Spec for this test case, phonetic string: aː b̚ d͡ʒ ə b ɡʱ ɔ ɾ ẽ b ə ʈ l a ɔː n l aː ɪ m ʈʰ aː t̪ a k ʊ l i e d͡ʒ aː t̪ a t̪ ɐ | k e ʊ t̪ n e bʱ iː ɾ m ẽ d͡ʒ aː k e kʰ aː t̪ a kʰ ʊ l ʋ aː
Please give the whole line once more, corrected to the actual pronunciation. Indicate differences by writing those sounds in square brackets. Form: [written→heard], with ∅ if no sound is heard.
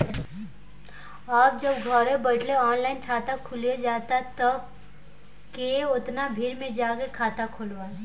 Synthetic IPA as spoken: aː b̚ d͡ʒ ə b ɡʱ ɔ ɾ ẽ b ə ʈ l [a→e] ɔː n l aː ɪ [m→n] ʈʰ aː t̪ a [k→kʰ] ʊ l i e d͡ʒ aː t̪ a t̪ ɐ | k e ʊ t̪ n [e→a] bʱ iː ɾ m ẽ d͡ʒ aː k e kʰ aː t̪ a kʰ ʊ l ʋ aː